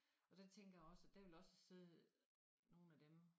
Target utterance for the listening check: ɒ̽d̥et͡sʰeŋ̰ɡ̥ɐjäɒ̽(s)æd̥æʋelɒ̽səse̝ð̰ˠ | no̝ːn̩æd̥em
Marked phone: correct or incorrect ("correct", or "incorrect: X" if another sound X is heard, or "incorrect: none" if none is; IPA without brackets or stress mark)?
correct